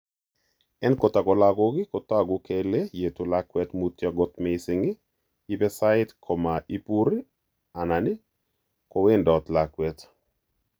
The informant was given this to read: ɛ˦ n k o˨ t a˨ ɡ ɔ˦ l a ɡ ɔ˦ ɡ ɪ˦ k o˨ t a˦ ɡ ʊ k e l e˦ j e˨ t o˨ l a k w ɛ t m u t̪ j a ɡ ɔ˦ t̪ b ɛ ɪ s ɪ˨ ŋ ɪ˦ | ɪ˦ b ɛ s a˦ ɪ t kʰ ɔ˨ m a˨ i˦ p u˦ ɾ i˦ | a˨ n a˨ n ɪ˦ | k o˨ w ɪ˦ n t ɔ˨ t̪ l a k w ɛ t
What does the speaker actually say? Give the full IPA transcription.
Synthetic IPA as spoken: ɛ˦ n k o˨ t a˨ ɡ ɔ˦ l a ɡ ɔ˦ ɡ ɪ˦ k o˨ t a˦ ɡ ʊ k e l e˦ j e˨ t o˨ l a k w ɛ t m u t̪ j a ɡ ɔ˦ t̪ m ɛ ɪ s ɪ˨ ŋ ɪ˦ | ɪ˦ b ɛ s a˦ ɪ t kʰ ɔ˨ m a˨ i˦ p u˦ ɾ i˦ | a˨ n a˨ n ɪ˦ | k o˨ w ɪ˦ n d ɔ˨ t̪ l a k w ɛ t